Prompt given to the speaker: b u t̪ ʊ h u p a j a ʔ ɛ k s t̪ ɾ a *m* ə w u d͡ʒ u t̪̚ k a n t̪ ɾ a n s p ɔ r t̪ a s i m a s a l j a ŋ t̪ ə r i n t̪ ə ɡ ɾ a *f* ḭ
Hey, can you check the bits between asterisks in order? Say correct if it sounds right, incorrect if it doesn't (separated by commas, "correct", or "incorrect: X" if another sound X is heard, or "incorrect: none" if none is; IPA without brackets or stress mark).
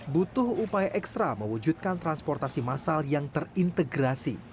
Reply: correct, incorrect: s